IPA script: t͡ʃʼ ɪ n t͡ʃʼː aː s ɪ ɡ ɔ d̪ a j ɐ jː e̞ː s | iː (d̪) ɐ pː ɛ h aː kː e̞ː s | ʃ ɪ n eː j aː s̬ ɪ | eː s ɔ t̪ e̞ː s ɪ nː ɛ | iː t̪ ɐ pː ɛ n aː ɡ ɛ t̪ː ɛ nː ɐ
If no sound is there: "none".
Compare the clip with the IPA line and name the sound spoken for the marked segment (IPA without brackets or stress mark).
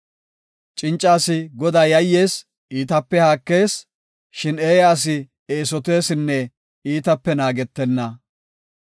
t̪